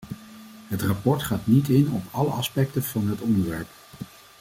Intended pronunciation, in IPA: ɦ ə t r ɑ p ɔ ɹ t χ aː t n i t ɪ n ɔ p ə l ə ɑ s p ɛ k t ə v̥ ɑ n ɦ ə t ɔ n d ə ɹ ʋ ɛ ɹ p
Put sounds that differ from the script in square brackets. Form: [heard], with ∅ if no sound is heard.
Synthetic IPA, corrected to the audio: ɦ ə t r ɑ p ɔ ɹ t χ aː t n i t ɪ n ɔ p [ɑ] l ə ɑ s p ɛ k t ə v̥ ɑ n ɦ ə t ɔ n d ə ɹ ʋ ɛ ɹ p